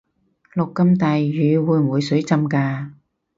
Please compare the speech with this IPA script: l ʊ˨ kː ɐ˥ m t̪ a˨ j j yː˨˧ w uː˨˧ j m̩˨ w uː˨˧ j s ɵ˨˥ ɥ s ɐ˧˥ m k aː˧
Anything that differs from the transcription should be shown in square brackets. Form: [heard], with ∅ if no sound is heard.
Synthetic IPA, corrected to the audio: l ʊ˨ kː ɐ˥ m t̪ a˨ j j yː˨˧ w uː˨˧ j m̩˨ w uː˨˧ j s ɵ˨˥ ɥ [t͡s] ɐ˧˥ m k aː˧